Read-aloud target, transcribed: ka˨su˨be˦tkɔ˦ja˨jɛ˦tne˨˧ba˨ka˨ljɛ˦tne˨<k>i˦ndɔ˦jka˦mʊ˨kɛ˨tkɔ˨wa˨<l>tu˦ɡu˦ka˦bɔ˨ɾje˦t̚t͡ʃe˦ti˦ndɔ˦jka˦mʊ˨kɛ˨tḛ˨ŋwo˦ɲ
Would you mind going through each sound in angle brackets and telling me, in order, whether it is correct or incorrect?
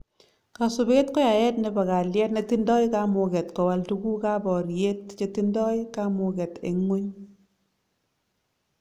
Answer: incorrect: t, correct

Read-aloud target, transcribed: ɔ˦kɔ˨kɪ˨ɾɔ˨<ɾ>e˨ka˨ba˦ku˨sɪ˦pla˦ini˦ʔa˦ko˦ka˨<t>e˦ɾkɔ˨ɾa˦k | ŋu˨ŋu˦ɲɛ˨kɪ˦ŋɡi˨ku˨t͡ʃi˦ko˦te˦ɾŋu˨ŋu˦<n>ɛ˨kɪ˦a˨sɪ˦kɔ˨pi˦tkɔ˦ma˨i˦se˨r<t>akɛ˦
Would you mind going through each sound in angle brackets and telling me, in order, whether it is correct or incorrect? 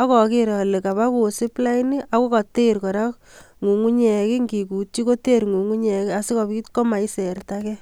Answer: incorrect: l, correct, incorrect: ɲ, correct

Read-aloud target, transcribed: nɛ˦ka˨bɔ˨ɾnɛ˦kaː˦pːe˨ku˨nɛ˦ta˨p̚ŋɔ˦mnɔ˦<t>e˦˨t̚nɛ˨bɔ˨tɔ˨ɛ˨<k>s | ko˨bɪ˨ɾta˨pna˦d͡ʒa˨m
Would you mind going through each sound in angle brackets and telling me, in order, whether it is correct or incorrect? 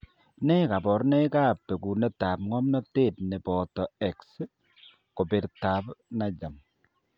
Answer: correct, correct

